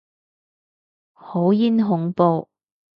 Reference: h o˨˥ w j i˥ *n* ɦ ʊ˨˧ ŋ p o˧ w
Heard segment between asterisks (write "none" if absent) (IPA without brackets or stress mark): n